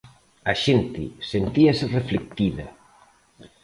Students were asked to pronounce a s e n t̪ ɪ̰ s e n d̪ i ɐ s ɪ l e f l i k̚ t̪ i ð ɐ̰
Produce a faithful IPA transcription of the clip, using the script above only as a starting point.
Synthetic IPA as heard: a ʃ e n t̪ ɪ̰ s e n t̪ i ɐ s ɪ r e f l e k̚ t̪ i ð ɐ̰